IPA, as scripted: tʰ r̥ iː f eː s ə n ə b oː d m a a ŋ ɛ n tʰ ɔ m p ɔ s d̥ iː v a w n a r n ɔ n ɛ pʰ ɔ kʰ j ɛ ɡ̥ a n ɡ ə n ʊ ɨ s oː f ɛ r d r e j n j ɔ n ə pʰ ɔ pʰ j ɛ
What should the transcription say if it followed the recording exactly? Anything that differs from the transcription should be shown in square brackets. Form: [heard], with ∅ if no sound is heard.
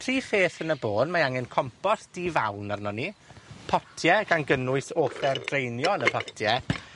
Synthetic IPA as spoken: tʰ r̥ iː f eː [θ] ə n ə b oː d m a a ŋ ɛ n [kʰ] ɔ m p ɔ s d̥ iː v a w n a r n ɔ n [i] pʰ ɔ [tʰ] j ɛ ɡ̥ a n ɡ ə n ʊ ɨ s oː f ɛ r d r e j n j ɔ n ə pʰ ɔ [tʰ] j ɛ